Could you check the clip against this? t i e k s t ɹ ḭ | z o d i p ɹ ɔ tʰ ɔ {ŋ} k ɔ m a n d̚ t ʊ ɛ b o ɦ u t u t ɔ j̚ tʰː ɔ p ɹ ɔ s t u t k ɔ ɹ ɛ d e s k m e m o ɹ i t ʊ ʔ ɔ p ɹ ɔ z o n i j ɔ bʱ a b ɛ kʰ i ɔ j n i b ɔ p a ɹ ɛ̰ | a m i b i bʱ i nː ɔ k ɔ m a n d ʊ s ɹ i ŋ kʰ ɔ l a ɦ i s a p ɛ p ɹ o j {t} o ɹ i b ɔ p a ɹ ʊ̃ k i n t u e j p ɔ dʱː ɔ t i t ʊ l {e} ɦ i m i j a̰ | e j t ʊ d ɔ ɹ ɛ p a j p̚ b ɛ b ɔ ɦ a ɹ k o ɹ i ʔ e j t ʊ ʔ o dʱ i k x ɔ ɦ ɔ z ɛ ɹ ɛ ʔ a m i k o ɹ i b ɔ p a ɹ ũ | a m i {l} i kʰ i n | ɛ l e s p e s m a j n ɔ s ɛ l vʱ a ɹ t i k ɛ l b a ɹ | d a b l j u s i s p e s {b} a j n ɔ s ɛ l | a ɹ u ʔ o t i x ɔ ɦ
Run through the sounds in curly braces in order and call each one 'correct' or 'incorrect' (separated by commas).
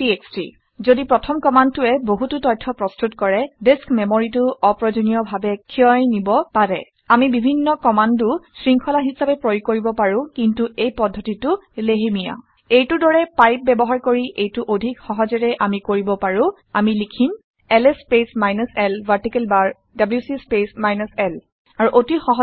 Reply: incorrect, incorrect, correct, correct, incorrect